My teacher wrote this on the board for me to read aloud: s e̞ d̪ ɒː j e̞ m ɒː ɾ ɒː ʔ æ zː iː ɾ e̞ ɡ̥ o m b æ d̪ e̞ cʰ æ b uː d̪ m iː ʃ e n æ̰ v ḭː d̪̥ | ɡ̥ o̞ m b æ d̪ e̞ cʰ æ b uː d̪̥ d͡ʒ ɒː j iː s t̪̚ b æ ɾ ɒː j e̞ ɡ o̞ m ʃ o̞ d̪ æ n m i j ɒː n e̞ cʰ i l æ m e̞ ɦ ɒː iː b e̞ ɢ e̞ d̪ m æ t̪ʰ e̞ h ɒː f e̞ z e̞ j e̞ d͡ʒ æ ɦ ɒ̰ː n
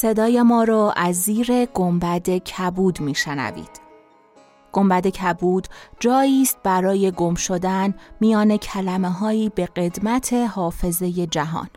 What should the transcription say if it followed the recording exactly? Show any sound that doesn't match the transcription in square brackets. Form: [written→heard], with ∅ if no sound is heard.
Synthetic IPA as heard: s e̞ d̪ ɒː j e̞ m ɒː ɾ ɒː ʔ æ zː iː ɾ e̞ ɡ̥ o m b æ d̪ e̞ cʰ æ b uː d̪ m iː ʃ e n æ̰ v ḭː d̪̥ | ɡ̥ o̞ m b æ d̪ e̞ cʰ æ b uː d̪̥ d͡ʒ ɒː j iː s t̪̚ b æ ɾ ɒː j e̞ ɡ o̞ m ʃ o̞ d̪ æ n m i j ɒː n e̞ cʰ [i→æ] l æ m e̞ ɦ ɒː iː b e̞ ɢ e̞ d̪ m æ t̪ʰ e̞ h ɒː f e̞ z e̞ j e̞ d͡ʒ æ ɦ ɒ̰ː n